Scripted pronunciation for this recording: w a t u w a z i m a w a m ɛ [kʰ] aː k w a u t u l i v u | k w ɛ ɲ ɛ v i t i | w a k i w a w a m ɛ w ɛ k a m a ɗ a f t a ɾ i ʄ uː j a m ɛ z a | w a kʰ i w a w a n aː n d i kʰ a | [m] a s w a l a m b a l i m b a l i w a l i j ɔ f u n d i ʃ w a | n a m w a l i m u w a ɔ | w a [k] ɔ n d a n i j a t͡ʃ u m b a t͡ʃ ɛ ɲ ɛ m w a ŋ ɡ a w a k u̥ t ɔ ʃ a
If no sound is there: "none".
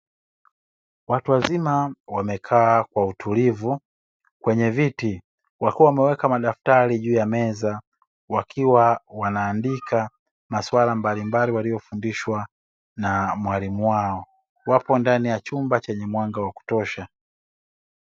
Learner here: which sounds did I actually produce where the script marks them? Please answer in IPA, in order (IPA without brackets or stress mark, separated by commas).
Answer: kʰ, m, p